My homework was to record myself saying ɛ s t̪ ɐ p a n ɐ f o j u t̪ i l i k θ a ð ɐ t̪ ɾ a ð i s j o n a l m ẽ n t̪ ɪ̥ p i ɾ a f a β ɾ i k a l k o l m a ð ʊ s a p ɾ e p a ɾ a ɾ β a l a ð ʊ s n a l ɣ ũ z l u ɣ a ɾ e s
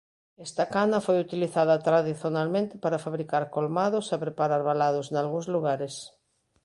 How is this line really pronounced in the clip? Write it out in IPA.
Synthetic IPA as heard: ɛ s t̪ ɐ k a n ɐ f o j u t̪ i l i θ a ð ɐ t̪ ɾ a ð i θ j o n a l m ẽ n t̪ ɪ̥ p a ɾ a f a β ɾ i k a ɾ k o l m a ð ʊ s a p ɾ e p a ɾ a ɾ β a l a ð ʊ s n a l ɣ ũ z l u ɣ a ɾ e s